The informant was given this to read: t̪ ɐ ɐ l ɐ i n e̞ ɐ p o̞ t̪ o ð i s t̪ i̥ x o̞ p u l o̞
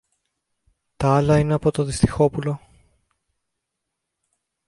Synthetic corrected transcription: t̪ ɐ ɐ l ɐ i n e̞ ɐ p o̞ t̪ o ð i s t̪ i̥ x o̞ p u l o̞

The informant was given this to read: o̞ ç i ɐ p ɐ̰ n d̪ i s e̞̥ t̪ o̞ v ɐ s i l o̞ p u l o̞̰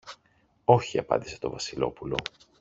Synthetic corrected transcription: o̞ ç i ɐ p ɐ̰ n d̪ i s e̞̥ t̪ o̞ v ɐ s i l o̞ p u l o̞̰

